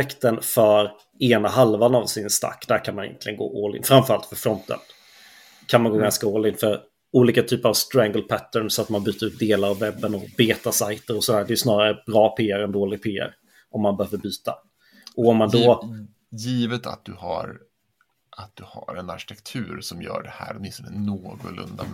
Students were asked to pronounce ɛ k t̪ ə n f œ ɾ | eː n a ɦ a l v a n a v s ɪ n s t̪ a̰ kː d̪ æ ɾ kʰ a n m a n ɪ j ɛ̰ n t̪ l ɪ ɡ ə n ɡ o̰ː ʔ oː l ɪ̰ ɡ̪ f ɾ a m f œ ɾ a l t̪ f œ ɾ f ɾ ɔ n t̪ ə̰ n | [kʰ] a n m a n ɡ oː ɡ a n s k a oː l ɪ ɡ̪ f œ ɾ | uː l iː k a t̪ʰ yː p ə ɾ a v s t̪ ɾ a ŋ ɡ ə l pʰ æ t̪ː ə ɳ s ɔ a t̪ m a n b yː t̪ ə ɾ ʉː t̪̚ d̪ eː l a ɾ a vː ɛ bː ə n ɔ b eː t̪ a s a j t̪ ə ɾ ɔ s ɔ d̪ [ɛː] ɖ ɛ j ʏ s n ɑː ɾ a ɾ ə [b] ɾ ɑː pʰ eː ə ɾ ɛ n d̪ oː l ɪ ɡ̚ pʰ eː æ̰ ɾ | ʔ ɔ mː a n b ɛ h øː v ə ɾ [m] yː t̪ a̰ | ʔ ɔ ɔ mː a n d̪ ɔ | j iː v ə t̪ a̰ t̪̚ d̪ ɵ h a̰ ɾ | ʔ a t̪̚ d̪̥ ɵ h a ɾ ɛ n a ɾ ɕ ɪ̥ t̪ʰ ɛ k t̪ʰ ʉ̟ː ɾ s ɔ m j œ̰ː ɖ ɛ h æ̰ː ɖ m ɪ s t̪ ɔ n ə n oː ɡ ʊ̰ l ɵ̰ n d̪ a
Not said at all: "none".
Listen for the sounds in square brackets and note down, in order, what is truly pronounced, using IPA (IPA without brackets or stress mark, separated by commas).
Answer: kʰ, æː, b, b